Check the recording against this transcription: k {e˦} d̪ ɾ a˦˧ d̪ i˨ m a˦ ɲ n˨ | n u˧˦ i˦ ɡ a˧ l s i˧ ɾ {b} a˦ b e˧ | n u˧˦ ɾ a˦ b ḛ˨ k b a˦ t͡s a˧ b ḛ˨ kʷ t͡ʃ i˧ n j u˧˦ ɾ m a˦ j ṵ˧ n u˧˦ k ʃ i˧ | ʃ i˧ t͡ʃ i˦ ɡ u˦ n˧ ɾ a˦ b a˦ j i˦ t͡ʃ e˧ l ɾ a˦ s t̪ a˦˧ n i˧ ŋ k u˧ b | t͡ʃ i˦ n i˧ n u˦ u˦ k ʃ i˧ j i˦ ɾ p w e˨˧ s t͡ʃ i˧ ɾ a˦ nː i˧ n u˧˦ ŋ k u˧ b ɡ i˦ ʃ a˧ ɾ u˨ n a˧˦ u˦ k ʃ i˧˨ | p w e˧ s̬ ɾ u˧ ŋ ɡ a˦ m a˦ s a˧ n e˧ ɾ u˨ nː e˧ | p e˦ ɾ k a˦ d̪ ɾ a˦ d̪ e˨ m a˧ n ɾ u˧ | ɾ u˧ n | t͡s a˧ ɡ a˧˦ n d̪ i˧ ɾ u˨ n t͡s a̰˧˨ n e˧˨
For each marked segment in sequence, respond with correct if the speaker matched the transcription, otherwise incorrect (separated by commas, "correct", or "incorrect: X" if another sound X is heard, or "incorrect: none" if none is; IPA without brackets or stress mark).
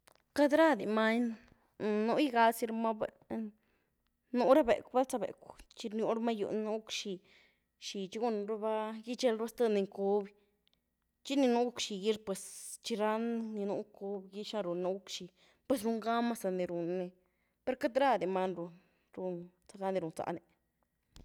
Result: incorrect: a˦, incorrect: m